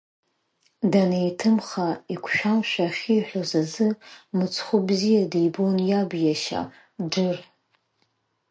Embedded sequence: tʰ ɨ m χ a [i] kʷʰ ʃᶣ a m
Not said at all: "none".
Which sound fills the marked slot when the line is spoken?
i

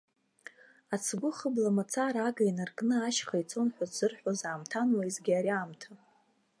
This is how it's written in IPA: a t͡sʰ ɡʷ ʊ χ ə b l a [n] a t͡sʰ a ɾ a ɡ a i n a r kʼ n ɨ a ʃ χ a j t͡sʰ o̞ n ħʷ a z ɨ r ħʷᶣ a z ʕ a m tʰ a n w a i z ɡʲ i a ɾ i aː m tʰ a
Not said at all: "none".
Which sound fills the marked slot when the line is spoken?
m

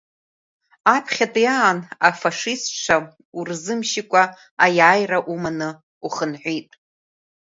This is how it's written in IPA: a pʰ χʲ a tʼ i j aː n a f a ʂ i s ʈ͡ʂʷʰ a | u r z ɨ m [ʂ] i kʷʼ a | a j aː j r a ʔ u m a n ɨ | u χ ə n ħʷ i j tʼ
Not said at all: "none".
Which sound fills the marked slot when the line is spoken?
ʃ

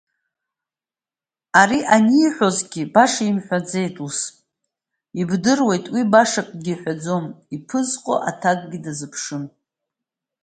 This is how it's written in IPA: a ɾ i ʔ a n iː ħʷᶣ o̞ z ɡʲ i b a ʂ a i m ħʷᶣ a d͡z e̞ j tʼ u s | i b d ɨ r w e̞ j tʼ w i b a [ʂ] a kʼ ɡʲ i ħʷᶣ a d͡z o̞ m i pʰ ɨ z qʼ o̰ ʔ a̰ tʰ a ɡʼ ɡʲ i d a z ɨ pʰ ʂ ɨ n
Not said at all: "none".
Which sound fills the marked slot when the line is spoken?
ʂ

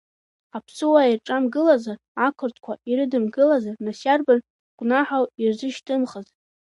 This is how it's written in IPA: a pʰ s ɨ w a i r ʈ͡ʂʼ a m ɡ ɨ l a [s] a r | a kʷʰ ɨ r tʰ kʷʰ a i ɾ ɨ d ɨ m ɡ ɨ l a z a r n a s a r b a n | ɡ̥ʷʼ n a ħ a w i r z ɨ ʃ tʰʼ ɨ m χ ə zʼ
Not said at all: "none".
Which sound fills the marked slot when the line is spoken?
z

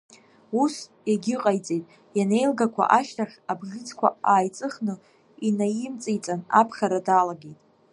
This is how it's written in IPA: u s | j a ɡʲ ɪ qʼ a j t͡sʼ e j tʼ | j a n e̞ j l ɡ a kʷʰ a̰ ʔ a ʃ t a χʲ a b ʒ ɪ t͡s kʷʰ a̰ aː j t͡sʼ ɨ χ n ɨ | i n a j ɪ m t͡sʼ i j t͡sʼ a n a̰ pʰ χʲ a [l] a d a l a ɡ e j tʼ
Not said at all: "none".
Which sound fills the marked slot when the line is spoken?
ɾ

